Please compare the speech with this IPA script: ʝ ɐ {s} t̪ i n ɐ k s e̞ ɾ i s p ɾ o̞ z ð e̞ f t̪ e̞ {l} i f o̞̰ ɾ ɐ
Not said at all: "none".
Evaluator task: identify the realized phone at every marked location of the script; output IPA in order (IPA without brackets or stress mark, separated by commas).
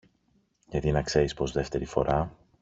none, ɾ